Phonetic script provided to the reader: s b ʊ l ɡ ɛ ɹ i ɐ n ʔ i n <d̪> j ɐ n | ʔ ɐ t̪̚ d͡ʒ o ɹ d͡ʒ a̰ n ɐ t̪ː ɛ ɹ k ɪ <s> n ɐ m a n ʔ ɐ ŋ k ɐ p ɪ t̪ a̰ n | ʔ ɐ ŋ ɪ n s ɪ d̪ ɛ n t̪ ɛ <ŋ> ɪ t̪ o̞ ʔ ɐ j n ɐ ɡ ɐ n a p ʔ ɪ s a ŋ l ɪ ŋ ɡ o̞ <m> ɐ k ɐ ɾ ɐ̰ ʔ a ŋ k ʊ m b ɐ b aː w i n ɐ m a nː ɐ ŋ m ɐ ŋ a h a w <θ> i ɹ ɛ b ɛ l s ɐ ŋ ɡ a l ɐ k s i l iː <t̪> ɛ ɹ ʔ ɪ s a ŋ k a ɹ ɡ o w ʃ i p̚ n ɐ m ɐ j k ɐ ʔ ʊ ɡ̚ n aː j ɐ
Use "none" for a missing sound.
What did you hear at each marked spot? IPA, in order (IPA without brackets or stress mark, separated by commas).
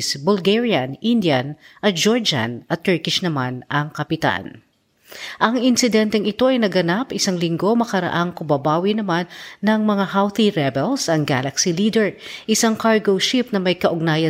d̪, ʃ, ŋ, m, θ, d̪